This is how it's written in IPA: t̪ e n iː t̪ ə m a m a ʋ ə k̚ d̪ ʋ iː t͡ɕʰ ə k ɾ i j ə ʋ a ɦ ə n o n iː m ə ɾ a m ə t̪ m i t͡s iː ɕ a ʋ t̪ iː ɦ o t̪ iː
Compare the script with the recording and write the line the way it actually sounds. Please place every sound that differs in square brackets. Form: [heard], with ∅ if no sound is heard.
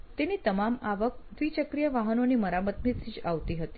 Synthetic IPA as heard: t̪ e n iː t̪ ə m a m a ʋ ə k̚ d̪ ʋ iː [t͡ɕ] ə k ɾ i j ə ʋ a ɦ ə n o n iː m ə ɾ a m ə t̪ m i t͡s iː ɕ a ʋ t̪ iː ɦ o t̪ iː

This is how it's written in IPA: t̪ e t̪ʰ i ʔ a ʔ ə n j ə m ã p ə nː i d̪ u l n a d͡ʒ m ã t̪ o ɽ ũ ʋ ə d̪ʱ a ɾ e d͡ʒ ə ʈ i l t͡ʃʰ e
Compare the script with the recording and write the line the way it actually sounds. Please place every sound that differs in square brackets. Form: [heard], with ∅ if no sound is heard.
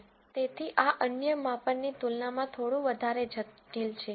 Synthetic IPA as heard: t̪ e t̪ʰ i ʔ a ʔ ə n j ə m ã p ə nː i [t̪] u l n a [∅] m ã [t̪ʰ] o ɽ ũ ʋ ə d̪ʱ a ɾ e d͡ʒ ə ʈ i l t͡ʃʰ e

